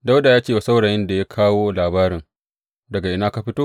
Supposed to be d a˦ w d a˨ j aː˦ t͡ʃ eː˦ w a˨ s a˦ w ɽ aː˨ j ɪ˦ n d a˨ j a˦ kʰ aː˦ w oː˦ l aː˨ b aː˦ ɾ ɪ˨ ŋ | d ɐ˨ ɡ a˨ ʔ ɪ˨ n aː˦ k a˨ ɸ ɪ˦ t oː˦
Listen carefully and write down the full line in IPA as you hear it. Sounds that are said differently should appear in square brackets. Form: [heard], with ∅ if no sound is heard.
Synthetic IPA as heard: d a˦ w d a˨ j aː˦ t͡ʃ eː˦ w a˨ s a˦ w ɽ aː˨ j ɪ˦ n d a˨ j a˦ kʰ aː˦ w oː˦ l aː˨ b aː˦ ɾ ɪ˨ ŋ | d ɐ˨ ɡ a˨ ʔ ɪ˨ n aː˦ k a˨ ɸ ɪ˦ t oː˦